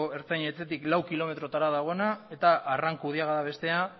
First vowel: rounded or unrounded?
unrounded